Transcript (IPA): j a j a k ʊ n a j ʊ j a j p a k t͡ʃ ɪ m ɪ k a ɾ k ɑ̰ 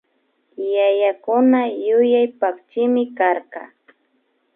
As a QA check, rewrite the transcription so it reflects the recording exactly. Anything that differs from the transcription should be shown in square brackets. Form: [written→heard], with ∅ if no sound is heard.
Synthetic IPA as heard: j a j a k ʊ n a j ʊ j a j p a k t͡ʃ ɪ m ɪ k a ɾ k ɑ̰